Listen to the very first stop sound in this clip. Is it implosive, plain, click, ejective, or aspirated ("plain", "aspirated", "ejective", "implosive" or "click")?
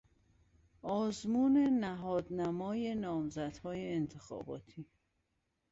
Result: plain